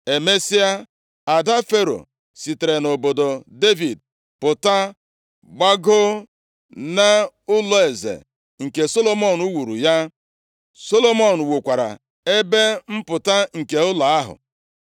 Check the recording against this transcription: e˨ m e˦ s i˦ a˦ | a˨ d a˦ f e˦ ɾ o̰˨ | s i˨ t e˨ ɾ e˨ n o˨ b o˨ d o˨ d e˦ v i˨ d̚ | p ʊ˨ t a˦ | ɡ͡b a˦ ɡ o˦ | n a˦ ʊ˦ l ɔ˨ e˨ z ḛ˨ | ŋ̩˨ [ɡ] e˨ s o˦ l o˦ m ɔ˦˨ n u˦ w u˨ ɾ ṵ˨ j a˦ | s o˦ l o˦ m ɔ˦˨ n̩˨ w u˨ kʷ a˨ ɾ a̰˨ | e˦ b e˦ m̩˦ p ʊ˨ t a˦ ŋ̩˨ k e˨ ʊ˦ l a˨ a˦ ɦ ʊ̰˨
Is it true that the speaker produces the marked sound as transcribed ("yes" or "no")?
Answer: no